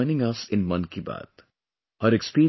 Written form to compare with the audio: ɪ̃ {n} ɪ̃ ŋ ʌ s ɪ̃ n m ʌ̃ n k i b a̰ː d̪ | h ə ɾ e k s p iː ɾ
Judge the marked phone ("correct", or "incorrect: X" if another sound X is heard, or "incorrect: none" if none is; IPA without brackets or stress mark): correct